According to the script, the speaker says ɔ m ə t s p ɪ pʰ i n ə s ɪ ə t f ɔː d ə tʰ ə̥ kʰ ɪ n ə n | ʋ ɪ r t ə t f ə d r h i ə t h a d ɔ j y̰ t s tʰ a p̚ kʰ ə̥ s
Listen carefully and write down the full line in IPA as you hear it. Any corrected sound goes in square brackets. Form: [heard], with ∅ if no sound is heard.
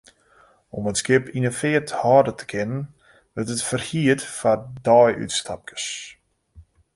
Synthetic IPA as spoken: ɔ m ə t s [k] ɪ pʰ i n ə [f] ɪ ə t [h] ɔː d ə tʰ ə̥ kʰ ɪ n ə n | ʋ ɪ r t ə t f ə [∅] r h i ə t [f] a d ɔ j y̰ t s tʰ a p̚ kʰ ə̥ s